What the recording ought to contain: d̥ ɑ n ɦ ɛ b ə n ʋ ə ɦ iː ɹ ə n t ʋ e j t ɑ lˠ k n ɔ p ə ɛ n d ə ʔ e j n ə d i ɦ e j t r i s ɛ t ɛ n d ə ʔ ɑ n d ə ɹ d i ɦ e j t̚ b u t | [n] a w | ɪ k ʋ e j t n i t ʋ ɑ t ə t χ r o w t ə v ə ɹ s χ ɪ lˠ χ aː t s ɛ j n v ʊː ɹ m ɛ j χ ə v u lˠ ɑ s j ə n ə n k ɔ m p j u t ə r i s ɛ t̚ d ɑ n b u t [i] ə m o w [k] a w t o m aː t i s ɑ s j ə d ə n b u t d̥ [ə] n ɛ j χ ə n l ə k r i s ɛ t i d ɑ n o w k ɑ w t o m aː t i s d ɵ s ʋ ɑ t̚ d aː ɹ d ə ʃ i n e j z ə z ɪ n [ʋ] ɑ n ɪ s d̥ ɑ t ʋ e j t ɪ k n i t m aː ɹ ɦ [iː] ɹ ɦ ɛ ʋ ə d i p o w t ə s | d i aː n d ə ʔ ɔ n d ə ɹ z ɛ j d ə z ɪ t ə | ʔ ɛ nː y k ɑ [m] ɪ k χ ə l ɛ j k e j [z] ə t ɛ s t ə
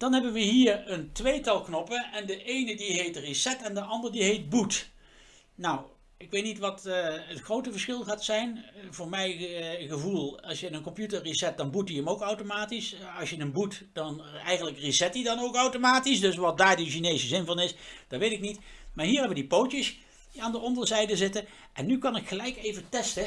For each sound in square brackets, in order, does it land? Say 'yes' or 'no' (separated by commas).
yes, yes, yes, no, no, yes, no, no